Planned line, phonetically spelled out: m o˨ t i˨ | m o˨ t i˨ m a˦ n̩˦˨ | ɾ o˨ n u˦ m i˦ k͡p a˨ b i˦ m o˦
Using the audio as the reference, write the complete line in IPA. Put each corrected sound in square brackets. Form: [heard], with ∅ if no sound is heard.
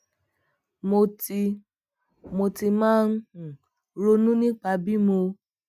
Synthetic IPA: m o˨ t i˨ | m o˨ t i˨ m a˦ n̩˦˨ | ɾ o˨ n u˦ [n] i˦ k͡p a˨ b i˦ m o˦